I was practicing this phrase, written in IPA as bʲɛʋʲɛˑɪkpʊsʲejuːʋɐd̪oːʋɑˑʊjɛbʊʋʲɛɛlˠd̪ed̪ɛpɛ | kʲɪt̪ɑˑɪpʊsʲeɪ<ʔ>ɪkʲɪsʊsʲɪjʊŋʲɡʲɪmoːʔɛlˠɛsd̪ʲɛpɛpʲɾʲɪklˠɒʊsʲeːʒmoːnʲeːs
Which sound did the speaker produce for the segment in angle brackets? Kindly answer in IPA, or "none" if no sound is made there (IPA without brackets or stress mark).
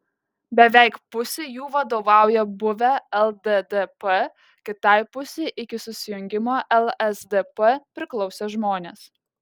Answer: ʔ